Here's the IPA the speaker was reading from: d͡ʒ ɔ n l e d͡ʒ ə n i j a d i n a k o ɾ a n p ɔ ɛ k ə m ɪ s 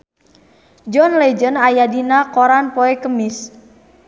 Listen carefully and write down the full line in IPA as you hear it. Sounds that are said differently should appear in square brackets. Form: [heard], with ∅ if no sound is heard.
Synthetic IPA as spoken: d͡ʒ ɔ n l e d͡ʒ ə n [a] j a d i n a k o ɾ a n p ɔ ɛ k ə m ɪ s